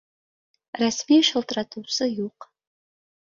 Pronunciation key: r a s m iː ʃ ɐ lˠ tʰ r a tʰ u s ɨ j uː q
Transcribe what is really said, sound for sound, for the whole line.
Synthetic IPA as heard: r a s m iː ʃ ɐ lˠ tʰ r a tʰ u s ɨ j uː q